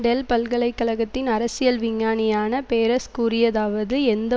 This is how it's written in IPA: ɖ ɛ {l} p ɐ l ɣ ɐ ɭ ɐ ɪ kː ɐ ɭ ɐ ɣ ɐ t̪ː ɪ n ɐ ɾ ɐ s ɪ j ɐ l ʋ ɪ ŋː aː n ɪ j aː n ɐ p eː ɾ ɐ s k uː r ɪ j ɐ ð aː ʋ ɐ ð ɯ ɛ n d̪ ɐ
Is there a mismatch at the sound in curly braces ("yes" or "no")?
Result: no